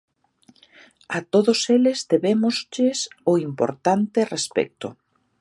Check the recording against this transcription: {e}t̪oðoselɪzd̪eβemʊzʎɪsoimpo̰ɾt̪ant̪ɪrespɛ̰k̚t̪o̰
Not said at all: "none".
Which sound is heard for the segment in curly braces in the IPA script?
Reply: a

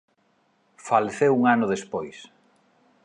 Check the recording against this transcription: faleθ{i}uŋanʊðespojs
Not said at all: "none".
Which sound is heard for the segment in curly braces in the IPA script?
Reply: e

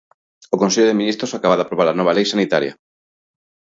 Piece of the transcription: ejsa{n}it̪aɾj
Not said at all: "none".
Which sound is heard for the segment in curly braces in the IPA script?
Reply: n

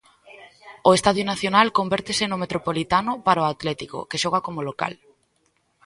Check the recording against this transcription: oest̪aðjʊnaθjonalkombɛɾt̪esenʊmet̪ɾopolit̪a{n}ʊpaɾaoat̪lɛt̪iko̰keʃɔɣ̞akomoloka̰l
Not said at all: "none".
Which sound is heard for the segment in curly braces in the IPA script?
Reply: n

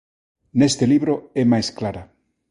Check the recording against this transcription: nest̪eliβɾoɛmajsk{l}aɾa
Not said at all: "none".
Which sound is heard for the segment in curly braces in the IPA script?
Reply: l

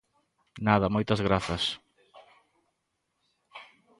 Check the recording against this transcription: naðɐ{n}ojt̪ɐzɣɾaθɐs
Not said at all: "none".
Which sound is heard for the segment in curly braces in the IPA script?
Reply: m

